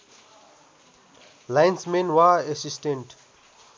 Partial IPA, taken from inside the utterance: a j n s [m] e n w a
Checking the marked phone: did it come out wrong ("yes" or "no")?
no